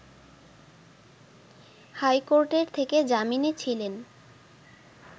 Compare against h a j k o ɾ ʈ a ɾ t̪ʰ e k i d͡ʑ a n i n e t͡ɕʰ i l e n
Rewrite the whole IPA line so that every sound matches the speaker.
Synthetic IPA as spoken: h a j k o ɾ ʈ e ɾ t̪ʰ e k e d͡ʑ a m i n e t͡ɕʰ i l e n

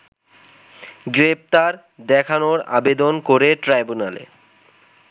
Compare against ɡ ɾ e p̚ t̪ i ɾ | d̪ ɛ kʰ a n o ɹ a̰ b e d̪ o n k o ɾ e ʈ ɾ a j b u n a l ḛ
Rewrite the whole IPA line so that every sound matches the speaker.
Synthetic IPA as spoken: ɡ ɾ e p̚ t̪ a ɾ | d̪ ɛ kʰ a n o ɾ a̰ b e d̪ o n k o ɾ e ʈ ɾ a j b u n a l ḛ

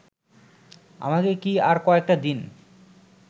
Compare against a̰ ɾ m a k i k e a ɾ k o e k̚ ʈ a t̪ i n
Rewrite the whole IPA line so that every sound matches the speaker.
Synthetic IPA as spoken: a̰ m a k e k i a ɾ k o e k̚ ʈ a d̪ i n

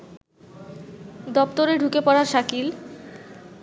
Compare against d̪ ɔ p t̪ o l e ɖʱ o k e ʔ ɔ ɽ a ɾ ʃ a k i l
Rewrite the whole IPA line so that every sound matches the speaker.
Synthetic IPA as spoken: d̪ ɔ p t̪ o ɾ e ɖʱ u k e p ɔ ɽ a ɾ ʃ a k i l

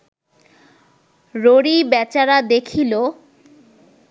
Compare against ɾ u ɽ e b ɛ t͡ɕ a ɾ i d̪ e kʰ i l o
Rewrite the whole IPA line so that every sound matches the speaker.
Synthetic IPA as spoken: ɾ o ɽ i b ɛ t͡ɕ a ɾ a d̪ e kʰ i l o

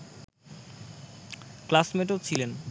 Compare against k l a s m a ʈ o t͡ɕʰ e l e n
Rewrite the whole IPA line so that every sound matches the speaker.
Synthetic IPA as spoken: k l a s m e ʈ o t͡ɕʰ i l e n

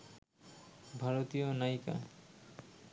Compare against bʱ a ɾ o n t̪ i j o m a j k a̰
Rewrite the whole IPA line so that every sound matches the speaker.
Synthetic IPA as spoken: bʱ a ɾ o t̪ i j o n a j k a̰

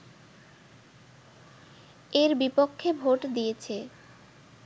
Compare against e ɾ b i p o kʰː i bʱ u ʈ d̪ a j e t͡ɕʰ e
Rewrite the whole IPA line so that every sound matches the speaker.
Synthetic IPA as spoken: e ɾ b i p o kʰː e bʱ o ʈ d̪ i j e t͡ɕʰ e

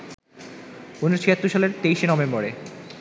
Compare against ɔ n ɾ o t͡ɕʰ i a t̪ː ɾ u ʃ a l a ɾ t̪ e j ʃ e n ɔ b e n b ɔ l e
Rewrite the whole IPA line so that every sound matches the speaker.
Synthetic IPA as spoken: u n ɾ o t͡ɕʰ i a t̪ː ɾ u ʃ a l e ɾ t̪ e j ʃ e n ɔ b e m b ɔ ɾ e

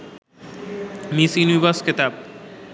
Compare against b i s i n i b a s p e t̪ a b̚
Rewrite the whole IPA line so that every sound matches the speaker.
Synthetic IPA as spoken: m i s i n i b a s k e t̪ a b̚

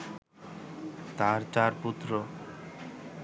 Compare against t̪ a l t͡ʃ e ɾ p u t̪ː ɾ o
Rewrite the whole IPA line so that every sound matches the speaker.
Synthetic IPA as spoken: t̪ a ɾ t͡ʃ a ɾ p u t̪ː ɾ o

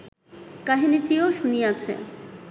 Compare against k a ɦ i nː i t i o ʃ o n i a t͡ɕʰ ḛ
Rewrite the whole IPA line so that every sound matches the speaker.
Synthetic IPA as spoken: k a ɦ i n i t i o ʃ u n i a t͡ɕʰ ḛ

